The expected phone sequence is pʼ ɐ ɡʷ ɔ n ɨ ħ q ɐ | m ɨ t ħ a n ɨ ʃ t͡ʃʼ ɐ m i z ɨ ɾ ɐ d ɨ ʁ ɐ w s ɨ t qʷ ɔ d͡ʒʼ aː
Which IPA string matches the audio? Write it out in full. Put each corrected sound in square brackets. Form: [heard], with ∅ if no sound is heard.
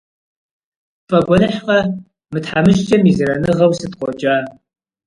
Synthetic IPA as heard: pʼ ɐ ɡʷ ɔ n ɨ ħ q ɐ | m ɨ t ħ a [m] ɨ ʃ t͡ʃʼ ɐ m i z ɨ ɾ ɐ [n] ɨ ʁ ɐ w s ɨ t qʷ ɔ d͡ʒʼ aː